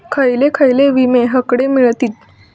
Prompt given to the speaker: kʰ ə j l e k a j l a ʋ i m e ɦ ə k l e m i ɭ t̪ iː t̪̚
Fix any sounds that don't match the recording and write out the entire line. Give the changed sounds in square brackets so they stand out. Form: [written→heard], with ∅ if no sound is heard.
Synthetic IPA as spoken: kʰ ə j l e [k→kʰ] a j l [a→e] ʋ i m e ɦ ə k [l→ɽ] e m i ɭ t̪ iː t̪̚